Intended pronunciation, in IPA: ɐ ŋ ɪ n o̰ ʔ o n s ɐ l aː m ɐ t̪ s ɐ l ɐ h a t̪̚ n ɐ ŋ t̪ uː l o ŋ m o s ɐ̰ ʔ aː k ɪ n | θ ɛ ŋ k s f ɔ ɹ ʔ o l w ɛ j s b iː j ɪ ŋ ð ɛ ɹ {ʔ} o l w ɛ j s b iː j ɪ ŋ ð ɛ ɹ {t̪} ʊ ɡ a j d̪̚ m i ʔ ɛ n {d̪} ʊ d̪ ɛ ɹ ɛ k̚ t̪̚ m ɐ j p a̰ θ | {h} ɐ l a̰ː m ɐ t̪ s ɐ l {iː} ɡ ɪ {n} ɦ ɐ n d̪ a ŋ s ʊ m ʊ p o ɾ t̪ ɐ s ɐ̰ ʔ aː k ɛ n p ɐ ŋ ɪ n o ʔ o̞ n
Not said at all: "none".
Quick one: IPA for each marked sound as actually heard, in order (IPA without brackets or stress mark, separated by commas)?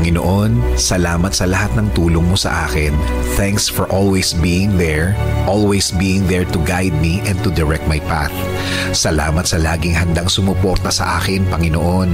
ʔ, t̪, t̪, s, aː, ŋ